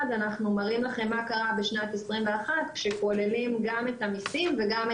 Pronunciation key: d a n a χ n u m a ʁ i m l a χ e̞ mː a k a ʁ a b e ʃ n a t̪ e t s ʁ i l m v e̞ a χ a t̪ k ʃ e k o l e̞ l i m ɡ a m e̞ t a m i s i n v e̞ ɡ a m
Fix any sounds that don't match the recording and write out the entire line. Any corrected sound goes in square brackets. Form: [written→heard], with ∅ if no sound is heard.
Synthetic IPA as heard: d a n a χ n u m a ʁ i m l a χ e̞ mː a k a ʁ a b e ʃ n a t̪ e [t→∅] s ʁ i [l→∅] m v e̞ a χ a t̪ k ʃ e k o l e̞ l i m ɡ a m e̞ t a m i s i [n→m] v e̞ ɡ a m